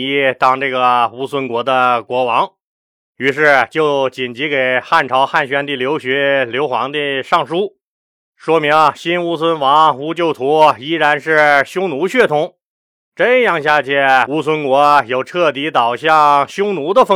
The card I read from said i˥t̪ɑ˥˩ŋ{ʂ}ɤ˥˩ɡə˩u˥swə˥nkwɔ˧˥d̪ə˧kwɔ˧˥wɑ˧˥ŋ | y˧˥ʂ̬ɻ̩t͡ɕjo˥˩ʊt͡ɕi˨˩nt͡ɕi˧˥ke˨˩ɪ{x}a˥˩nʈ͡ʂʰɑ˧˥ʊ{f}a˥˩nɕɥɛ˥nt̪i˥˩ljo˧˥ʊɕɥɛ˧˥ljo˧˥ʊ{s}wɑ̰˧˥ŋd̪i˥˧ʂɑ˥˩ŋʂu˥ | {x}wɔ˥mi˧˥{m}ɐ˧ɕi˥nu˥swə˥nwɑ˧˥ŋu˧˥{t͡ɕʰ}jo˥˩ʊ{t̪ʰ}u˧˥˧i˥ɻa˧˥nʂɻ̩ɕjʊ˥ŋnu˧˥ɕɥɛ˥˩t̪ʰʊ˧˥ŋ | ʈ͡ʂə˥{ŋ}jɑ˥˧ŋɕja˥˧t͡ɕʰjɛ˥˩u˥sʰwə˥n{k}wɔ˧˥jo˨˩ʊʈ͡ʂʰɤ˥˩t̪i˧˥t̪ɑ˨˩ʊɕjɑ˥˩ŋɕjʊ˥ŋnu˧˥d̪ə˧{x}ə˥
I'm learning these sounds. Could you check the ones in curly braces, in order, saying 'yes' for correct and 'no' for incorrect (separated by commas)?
no, yes, no, no, no, no, no, yes, no, yes, no